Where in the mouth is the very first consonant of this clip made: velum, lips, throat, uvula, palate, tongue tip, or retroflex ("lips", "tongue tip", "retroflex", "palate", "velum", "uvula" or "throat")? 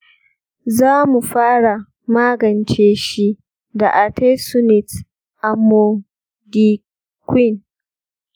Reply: tongue tip